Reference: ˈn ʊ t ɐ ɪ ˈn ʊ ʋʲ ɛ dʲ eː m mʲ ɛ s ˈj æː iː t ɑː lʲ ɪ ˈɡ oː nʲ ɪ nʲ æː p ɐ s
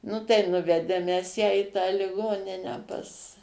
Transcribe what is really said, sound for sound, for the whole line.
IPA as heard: ˈn ʊ t ɐ ɪ ˈn ʊ ʋʲ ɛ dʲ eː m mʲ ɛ s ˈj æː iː t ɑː lʲ ɪ ˈɡ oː nʲ ɪ nʲ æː p ɐ s

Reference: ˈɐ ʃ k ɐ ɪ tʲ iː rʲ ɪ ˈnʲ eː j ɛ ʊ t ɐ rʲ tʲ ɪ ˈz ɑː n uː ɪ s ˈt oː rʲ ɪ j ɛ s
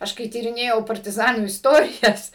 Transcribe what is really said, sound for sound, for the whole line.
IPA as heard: ˈɐ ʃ k ɐ ɪ tʲ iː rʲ ɪ ˈnʲ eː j ɛ ʊ p ɐ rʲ tʲ ɪ ˈz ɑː n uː ɪ s ˈt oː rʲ ɪ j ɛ s

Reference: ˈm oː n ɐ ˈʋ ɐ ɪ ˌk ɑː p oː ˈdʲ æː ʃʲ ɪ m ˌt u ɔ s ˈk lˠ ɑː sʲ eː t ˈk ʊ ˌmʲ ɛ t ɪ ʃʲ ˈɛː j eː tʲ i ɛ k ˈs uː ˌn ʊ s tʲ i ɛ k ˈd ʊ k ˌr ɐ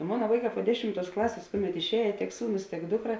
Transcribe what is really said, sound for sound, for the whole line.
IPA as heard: ˈm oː n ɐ ˈʋ ɐ ɪ ˌk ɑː p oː ˈdʲ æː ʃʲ ɪ m ˌt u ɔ s ˈk lˠ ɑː sʲ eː s ˈk ʊ ˌmʲ ɛ t ɪ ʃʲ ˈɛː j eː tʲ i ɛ k ˈs uː ˌn ʊ s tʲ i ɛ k ˈd ʊ k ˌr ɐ

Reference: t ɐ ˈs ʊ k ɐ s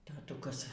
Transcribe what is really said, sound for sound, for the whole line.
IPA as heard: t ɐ ˈt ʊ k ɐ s

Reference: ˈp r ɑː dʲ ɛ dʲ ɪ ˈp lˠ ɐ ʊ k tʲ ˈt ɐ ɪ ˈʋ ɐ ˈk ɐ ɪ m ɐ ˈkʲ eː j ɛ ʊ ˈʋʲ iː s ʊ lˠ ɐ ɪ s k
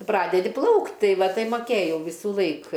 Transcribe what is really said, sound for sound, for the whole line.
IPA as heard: ˈp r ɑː dʲ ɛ dʲ ɪ ˈp lˠ ɐ ʊ k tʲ ˈt ɐ ɪ ˈʋ ɐ ˈt ɐ ɪ m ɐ ˈkʲ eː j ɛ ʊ ˈʋʲ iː s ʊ lˠ ɐ ɪ k

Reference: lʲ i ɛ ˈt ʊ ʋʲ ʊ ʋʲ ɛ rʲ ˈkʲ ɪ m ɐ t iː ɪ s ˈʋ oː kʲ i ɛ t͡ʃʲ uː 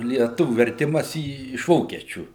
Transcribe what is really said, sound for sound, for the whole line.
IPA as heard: lʲ i ɛ ˈt ʊ ʋʲ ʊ ʋʲ ɛ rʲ ˈtʲ ɪ m ɐ s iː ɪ ʃ ˈʋ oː kʲ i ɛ t͡ʃʲ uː

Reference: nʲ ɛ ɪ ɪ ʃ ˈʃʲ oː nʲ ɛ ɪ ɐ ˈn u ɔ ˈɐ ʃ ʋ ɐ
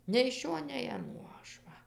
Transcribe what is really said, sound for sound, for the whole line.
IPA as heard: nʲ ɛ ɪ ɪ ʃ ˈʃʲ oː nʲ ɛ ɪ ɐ ˈn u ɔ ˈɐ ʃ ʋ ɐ

